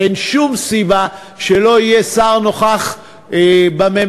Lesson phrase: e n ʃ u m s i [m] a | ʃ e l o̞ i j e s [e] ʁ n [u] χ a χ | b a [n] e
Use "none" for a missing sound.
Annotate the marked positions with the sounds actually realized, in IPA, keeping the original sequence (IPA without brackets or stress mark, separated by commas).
b, a, o, m